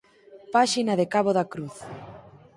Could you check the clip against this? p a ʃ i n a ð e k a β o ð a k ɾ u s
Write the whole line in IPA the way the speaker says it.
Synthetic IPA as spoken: p a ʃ i n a ð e k a β o ð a k ɾ u θ